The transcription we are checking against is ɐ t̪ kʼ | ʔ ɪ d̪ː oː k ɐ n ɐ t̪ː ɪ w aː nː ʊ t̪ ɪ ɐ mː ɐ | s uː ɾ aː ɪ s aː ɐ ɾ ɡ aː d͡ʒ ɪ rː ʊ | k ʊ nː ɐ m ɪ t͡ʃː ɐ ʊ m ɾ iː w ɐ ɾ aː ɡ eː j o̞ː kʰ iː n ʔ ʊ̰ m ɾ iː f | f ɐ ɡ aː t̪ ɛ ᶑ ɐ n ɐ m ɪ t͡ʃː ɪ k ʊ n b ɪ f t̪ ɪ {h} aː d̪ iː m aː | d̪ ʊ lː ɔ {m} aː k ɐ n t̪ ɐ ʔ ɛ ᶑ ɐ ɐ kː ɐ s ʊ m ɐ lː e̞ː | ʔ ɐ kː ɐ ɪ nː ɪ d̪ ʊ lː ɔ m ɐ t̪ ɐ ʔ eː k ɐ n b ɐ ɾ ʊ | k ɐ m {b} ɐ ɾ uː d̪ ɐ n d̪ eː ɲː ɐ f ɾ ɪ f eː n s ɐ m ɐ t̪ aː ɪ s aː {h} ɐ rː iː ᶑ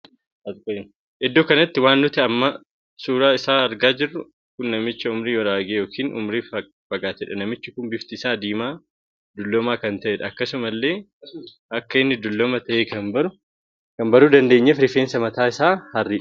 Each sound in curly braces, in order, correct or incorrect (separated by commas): incorrect, correct, correct, correct